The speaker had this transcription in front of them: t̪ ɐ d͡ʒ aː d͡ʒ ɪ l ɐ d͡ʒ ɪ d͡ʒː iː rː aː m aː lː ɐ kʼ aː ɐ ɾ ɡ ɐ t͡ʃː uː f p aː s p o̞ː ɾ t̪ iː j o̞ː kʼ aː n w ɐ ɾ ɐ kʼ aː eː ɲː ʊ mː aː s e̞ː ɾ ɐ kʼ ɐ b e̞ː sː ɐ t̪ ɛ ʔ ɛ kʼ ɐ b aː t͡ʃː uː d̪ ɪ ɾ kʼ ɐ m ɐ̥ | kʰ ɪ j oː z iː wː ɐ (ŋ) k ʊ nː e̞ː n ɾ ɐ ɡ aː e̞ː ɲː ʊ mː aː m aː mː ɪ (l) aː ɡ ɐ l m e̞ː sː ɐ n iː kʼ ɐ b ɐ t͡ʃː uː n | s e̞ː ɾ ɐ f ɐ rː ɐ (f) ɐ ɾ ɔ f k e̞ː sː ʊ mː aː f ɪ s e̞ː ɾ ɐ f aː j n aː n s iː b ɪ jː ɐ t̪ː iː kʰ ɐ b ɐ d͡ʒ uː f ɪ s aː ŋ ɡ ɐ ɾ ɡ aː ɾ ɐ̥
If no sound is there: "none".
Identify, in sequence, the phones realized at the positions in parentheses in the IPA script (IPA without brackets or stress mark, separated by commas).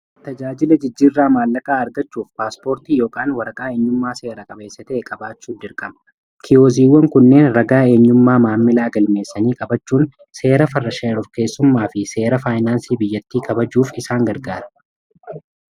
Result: ŋ, l, ʃ